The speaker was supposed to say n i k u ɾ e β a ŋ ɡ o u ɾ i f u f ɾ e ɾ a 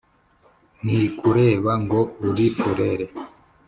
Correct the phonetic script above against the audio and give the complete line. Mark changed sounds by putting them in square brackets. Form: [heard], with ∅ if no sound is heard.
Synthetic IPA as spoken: n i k u ɾ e β a ŋ ɡ o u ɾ i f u [∅] ɾ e ɾ [e]